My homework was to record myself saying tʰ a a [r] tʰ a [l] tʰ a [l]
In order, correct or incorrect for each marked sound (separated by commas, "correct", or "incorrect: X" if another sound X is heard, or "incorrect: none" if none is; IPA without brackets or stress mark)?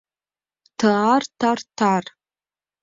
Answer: correct, incorrect: r, incorrect: r